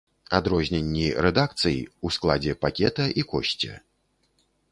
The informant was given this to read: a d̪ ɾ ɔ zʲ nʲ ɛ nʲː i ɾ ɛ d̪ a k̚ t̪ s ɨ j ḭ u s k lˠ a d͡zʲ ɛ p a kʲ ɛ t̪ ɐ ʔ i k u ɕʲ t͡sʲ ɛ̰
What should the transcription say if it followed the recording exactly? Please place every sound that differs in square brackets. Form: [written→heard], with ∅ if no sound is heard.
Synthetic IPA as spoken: a d̪ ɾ ɔ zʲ nʲ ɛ nʲː i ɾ ɛ d̪ a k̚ t̪ s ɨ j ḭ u s k lˠ a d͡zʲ ɛ p a kʲ ɛ t̪ ɐ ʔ i k [u→ɔ] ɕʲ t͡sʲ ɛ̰